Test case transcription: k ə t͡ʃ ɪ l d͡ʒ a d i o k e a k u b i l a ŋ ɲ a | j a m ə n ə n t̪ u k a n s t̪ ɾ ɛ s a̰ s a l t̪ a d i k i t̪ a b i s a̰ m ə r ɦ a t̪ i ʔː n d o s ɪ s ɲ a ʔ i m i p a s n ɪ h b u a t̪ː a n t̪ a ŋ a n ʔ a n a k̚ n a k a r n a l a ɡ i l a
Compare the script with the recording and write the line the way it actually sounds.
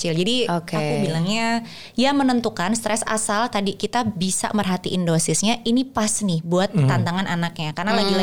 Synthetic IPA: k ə t͡ʃ ɪ l d͡ʒ a d i o k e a k u b i l a ŋ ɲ a | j a m ə n ə n t̪ u k a n s t̪ ɾ ɛ s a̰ s a l t̪ a d i k i t̪ a b i s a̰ m ə r ɦ a t̪ i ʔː n d o s ɪ s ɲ a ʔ i n i p a s n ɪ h b u a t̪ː a n t̪ a ŋ a n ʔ a n a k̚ ɲ a k a r n a l a ɡ i l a